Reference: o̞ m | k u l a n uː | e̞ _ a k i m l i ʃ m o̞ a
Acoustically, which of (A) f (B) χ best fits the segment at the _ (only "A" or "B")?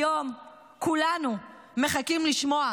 B